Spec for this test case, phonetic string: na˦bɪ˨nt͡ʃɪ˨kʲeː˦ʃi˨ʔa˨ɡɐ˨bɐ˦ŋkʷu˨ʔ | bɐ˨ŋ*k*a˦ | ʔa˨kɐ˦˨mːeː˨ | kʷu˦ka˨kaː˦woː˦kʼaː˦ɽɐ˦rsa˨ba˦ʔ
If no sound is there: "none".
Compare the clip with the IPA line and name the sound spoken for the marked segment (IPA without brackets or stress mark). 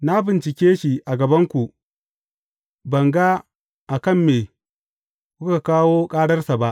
ɡ